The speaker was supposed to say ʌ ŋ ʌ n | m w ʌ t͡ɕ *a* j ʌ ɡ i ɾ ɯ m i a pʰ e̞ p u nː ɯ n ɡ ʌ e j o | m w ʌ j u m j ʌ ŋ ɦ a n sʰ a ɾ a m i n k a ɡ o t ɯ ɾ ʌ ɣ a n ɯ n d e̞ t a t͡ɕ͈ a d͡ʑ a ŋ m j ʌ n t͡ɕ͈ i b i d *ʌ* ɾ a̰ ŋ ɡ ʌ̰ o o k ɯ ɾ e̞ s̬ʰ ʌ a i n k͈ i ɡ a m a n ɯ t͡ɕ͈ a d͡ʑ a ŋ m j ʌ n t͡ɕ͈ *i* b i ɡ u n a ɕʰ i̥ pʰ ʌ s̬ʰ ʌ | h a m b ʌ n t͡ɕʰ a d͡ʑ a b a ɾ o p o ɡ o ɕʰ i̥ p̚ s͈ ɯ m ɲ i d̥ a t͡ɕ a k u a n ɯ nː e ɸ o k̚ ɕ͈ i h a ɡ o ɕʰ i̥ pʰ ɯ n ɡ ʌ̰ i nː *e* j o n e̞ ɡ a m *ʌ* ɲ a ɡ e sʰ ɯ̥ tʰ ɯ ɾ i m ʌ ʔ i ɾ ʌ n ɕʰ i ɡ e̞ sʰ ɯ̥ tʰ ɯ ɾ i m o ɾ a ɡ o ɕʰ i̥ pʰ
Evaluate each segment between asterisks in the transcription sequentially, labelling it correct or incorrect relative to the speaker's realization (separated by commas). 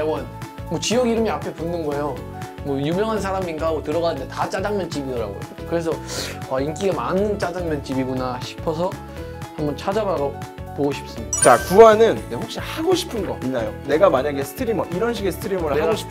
incorrect, correct, correct, incorrect, incorrect